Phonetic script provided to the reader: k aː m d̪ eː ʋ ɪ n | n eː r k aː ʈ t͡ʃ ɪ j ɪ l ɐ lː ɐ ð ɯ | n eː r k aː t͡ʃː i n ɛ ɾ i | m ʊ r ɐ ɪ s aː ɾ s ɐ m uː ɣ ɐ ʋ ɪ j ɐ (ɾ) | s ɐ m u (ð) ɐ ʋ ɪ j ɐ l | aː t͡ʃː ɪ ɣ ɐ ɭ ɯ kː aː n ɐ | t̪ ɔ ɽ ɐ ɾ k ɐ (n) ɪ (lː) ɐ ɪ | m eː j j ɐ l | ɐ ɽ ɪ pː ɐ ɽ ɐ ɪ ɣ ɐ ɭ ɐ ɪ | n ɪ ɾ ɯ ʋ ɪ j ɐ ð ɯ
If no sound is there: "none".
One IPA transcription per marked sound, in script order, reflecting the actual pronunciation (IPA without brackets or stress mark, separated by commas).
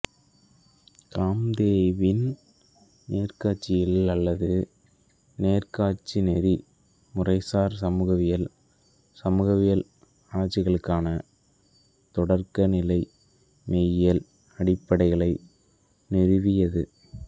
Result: l, ɣ, n, l